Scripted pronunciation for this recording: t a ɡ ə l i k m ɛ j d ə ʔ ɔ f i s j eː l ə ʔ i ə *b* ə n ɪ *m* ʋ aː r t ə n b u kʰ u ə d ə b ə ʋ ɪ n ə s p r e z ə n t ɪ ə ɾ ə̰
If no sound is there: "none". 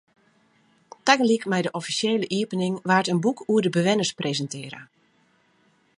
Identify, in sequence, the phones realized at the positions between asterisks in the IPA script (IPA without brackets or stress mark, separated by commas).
p, ŋ